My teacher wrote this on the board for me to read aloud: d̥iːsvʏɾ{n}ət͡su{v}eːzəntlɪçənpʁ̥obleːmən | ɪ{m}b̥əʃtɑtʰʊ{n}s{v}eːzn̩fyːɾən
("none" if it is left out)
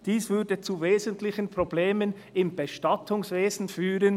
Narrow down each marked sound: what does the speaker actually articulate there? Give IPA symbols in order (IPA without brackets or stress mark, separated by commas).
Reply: d, v, m, ŋ, v